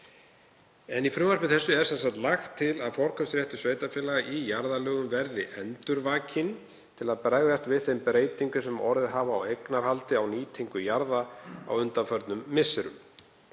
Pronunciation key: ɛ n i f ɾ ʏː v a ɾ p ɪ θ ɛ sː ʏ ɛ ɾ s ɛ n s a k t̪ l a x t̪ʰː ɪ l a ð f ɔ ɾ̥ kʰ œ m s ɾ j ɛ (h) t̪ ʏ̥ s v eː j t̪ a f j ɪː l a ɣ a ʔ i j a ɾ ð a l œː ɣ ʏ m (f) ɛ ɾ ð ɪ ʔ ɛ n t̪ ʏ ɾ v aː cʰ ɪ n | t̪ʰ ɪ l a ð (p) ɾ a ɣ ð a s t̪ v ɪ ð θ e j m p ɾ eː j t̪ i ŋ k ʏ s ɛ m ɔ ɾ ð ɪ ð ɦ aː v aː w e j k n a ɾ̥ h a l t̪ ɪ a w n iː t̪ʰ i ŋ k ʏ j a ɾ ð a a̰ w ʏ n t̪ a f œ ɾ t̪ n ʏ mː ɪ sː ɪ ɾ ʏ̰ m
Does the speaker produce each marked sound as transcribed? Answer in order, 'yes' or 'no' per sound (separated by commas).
yes, no, yes